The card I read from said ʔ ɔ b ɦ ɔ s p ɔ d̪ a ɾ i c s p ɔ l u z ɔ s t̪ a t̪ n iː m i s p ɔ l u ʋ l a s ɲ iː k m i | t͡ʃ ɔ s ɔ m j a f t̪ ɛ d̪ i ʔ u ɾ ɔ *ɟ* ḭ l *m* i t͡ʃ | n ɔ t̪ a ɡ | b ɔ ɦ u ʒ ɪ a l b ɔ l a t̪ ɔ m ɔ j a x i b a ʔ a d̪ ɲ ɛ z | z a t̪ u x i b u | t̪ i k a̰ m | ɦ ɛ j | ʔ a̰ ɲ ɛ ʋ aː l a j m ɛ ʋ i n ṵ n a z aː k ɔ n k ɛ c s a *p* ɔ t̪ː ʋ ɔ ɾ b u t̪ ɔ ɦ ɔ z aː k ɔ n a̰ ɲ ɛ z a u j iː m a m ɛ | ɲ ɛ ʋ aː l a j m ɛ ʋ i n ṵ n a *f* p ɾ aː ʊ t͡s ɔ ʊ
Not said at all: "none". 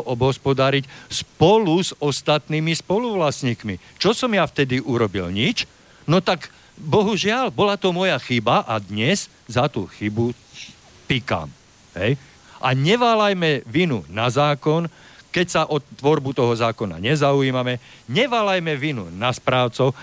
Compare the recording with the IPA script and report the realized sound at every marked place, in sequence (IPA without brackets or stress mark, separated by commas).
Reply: b, ɲ, ʔ, s